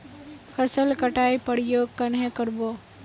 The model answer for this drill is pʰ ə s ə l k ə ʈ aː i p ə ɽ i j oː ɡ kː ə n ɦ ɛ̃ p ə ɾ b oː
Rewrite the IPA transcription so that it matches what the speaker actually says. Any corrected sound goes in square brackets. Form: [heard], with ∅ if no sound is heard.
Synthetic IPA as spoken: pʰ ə s ə l k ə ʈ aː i p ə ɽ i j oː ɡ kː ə n ɦ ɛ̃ [k] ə ɾ b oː